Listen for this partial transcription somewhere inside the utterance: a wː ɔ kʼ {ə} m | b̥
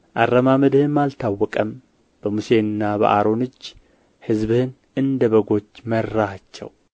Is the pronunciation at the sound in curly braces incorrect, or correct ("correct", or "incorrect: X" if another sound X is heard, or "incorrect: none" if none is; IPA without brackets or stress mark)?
correct